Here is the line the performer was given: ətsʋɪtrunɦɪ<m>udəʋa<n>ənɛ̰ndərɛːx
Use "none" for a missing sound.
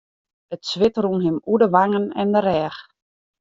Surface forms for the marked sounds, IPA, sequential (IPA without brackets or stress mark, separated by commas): m, ŋ